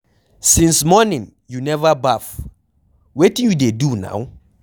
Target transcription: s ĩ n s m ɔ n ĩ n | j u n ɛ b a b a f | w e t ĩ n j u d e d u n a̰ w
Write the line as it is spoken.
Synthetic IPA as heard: s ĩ n s m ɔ n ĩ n | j u n ɛ v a b a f | w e t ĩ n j u d e d u n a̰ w